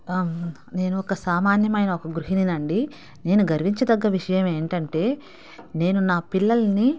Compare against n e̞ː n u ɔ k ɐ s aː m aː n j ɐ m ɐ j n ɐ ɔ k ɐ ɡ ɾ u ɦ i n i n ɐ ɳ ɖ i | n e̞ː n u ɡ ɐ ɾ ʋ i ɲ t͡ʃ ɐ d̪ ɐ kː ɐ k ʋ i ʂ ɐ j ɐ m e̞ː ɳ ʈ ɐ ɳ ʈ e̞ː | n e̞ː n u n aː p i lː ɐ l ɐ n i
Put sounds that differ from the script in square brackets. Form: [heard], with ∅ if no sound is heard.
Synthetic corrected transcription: n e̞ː n u ɔ k ɐ s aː m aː n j ɐ m ɐ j n ɐ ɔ k ɐ ɡ ɾ u ɦ i n i n ɐ ɳ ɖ i | n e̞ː n u ɡ ɐ ɾ ʋ i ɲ t͡ʃ ɐ d̪ ɐ [ɡː] ɐ [∅] ʋ i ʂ ɐ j ɐ m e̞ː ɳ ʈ ɐ ɳ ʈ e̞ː | n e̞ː n u n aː p i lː ɐ l ɐ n i